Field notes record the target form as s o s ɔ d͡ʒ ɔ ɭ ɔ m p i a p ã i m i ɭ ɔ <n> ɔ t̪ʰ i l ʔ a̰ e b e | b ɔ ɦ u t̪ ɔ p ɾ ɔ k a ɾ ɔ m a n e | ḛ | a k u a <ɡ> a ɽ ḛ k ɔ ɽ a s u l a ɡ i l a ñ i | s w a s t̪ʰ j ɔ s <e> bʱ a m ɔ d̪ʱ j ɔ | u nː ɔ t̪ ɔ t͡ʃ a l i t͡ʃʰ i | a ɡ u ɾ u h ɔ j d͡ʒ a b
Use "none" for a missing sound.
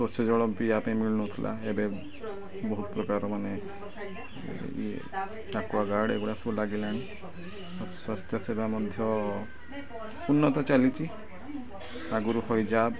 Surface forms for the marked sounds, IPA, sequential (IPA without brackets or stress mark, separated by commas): n, ɡ, e